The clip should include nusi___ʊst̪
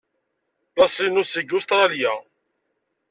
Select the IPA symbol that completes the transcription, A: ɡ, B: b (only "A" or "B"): A